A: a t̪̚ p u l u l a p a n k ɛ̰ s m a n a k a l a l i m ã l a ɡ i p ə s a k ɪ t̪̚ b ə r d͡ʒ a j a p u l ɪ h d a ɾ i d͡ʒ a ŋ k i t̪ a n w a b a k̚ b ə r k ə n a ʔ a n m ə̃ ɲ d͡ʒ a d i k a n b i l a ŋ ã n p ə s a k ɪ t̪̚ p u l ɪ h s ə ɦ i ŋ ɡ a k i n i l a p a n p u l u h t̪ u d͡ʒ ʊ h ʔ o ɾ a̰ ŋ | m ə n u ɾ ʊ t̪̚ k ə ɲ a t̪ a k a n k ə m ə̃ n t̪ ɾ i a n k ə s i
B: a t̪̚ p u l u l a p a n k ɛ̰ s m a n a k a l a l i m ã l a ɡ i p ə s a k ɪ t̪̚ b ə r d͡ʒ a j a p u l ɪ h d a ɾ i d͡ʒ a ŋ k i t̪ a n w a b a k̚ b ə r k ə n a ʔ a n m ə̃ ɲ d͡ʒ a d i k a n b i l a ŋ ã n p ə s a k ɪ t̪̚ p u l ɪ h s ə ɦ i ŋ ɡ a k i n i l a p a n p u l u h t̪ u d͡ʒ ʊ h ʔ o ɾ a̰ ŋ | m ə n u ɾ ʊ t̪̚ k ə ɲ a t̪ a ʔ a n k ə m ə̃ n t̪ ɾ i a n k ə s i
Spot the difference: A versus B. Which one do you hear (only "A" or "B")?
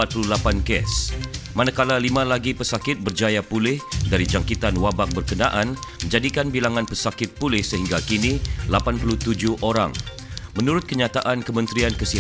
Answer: B